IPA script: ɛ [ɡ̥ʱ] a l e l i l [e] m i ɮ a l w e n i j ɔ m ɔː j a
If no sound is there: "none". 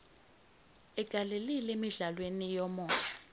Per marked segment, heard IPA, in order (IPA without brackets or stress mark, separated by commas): ɡ̥ʱ, e